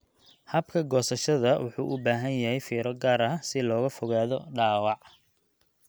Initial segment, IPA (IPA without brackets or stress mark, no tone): h